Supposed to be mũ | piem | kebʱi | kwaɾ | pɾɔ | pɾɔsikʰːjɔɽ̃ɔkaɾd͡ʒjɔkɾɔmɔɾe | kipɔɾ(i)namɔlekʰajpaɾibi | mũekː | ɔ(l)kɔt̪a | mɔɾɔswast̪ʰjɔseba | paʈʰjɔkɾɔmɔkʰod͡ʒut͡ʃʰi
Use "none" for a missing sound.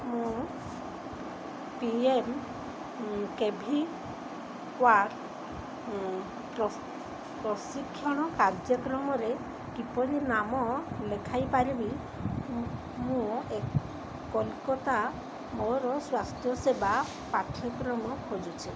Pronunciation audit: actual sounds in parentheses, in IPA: i, l

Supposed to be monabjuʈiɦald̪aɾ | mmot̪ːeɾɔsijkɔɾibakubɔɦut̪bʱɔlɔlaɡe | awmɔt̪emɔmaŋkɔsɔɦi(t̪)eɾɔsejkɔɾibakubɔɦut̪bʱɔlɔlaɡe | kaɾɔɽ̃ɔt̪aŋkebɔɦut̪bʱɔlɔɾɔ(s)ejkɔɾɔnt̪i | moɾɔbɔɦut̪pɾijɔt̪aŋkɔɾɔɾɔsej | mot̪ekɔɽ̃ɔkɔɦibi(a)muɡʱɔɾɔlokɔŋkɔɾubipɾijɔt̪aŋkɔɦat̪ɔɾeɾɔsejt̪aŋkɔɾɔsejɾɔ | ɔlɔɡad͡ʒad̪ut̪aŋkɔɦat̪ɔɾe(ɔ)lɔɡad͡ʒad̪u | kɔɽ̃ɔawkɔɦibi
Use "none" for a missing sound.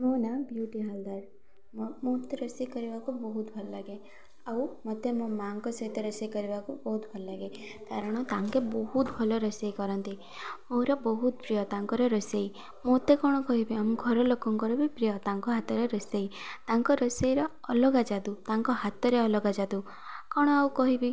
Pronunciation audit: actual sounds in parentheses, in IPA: t̪, s, a, ɔ

